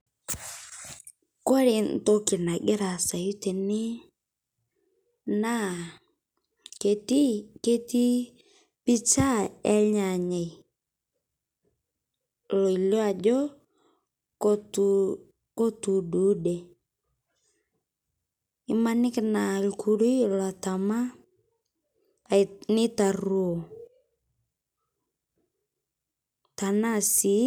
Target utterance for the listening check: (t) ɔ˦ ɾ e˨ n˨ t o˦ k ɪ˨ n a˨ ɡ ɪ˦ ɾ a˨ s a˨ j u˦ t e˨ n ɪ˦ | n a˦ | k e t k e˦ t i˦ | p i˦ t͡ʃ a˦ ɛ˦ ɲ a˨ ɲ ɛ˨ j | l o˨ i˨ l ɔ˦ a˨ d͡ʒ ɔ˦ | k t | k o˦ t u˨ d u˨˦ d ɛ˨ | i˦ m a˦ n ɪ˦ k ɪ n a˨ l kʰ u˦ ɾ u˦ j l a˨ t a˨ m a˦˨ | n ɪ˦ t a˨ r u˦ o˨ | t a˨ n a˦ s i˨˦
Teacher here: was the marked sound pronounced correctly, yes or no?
no